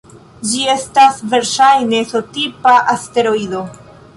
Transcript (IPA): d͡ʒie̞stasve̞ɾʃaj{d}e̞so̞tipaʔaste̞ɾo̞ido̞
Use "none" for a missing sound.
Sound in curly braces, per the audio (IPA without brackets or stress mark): n